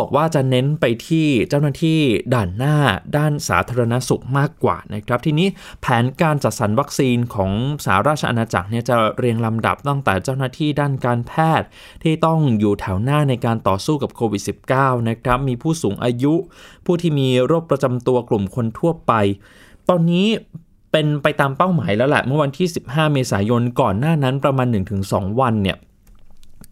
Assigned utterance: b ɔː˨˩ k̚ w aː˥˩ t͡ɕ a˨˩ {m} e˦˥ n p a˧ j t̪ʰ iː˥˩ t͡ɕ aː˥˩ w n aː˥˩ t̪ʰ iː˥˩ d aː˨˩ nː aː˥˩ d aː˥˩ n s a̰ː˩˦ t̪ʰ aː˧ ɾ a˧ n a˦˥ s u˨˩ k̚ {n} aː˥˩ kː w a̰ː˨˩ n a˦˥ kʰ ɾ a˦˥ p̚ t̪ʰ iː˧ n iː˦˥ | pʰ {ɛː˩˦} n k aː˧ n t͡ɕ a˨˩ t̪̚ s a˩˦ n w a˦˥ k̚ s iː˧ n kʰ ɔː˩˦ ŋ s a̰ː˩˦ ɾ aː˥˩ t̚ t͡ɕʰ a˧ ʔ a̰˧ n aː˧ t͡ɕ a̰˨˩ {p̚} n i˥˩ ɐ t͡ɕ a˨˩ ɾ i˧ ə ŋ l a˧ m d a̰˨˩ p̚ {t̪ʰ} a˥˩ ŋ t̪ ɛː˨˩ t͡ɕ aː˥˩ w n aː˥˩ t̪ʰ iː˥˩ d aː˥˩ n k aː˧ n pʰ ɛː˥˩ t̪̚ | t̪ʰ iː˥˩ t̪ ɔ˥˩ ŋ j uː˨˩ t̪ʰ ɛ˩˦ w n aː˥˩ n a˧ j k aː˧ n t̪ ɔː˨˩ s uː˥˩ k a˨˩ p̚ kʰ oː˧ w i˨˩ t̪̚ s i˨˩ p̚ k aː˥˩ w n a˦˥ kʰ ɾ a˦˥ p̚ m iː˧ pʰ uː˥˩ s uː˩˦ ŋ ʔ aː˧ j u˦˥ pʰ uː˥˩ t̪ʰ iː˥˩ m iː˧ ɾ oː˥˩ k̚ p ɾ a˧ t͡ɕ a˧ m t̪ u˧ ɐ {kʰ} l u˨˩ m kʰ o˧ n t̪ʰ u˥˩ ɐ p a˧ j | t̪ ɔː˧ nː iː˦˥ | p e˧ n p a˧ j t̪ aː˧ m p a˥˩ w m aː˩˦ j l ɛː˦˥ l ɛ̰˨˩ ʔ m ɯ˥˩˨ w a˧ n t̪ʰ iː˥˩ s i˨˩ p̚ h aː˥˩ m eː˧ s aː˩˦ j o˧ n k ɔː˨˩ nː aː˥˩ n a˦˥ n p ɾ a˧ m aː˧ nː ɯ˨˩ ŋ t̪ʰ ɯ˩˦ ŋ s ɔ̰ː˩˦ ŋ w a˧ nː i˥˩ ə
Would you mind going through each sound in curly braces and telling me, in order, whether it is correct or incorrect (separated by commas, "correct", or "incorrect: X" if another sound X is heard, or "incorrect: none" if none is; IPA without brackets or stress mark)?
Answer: incorrect: n, incorrect: m, correct, incorrect: k̚, incorrect: t̪, incorrect: k